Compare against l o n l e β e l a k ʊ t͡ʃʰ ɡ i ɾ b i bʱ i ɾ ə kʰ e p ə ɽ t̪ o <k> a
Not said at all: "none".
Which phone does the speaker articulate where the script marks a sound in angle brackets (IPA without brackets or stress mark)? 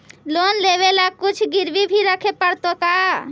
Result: k